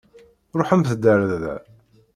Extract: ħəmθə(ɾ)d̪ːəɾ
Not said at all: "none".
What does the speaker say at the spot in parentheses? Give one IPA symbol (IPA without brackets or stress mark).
none